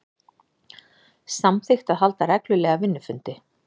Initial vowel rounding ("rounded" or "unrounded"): unrounded